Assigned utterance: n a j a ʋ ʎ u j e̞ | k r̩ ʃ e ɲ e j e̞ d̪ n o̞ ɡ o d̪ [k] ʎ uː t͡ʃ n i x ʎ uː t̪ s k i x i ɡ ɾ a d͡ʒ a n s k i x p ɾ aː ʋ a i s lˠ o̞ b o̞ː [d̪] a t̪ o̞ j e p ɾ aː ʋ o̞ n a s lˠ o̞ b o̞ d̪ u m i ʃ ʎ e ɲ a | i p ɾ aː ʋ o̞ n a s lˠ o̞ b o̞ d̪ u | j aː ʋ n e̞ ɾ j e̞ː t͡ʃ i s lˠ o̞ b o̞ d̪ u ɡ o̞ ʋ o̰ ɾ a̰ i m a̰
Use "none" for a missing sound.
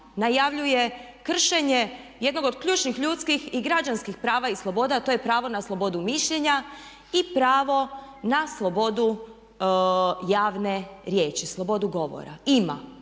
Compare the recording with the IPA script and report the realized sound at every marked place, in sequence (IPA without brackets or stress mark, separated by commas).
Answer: k, d̪